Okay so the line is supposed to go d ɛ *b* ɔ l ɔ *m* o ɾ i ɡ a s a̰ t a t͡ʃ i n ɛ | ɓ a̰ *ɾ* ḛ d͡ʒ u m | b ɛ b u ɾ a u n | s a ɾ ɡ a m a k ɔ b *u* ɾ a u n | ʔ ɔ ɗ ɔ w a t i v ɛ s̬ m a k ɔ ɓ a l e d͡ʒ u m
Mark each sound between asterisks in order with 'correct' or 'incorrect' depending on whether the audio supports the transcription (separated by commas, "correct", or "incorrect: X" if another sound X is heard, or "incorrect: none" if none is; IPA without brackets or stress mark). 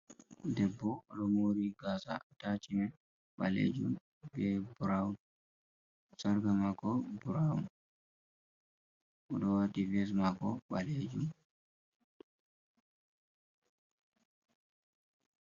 incorrect: bː, correct, incorrect: l, correct